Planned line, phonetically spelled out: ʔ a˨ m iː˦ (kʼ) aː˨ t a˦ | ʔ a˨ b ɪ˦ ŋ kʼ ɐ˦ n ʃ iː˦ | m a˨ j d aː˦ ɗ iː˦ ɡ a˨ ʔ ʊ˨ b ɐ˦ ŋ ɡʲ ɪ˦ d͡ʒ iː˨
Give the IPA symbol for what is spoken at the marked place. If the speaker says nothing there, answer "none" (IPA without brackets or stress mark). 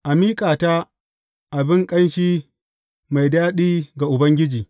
kʼ